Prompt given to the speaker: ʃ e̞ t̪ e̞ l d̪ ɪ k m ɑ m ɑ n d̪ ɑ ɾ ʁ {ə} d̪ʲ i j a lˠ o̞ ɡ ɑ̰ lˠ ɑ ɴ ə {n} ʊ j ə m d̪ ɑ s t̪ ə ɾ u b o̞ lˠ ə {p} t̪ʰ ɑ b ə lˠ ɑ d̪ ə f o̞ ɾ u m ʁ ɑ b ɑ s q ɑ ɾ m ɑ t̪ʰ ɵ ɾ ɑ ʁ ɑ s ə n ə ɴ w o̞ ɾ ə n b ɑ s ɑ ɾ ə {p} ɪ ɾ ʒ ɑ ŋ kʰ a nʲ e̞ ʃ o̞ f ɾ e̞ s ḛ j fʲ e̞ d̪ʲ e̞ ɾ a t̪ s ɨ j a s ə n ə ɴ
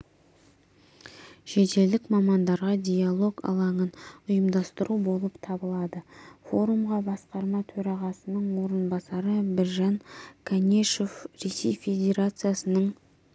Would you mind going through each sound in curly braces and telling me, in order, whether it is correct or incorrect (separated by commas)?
incorrect, correct, correct, incorrect